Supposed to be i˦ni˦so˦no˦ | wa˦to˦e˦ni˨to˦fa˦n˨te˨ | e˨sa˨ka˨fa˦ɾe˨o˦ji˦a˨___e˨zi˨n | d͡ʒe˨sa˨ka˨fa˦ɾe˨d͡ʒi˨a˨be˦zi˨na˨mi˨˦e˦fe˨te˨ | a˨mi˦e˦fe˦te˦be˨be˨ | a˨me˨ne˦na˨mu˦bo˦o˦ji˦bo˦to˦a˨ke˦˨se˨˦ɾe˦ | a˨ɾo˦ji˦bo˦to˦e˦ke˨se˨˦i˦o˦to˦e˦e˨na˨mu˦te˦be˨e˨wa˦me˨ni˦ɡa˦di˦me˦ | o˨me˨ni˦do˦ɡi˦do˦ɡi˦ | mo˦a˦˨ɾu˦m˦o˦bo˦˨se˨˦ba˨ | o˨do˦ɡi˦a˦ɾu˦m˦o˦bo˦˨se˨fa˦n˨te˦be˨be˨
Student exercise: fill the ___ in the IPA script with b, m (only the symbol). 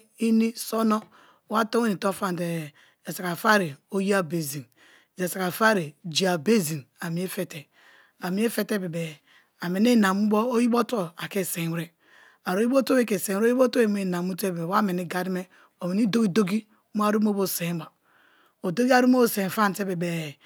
b